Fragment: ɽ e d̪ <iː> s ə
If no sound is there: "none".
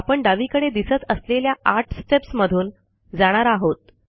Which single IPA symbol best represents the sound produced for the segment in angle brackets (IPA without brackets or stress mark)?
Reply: i